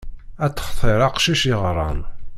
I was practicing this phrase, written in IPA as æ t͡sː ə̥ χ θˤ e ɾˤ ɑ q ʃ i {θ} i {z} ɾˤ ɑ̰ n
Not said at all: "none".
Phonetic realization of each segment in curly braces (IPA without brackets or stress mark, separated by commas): ʃ, ʁ